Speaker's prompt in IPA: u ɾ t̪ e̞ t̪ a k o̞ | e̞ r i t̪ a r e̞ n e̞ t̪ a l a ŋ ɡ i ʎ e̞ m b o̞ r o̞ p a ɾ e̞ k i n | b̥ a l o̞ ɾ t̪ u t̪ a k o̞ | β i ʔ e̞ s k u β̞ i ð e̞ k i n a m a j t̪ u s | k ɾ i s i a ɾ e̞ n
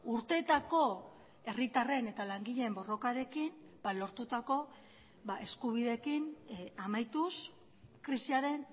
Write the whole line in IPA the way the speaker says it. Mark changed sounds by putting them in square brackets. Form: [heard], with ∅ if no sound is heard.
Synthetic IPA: u ɾ t̪ e̞ t̪ a k o̞ | e̞ r i t̪ a r e̞ n e̞ t̪ a l a ŋ ɡ i ʎ e̞ m b o̞ r o̞ [k] a ɾ e̞ k i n | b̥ a l o̞ ɾ t̪ u t̪ a k o̞ | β [a] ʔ e̞ s k u β̞ i ð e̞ k i n a m a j t̪ u s | k ɾ i s i a ɾ e̞ n